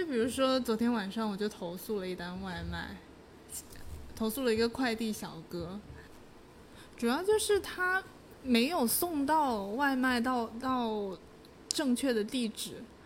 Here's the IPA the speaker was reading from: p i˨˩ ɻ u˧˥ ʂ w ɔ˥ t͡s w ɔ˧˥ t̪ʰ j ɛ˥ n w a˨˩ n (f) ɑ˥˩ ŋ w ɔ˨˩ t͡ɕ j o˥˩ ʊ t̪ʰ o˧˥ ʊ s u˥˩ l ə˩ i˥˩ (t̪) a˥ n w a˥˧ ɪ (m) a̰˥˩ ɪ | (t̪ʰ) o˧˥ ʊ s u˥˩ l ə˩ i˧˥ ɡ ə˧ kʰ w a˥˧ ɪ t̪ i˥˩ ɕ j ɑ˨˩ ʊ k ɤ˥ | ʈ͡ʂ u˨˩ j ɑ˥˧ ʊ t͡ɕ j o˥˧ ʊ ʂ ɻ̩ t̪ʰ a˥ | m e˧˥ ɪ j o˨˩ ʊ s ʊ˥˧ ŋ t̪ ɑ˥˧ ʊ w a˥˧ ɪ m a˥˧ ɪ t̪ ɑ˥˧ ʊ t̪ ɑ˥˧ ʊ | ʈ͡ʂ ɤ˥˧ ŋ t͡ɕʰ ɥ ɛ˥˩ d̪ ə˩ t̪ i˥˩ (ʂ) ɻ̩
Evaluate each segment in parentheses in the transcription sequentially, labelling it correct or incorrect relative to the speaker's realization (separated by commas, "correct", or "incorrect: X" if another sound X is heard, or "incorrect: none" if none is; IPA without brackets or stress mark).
incorrect: ʂ, correct, correct, correct, incorrect: ʈ͡ʂ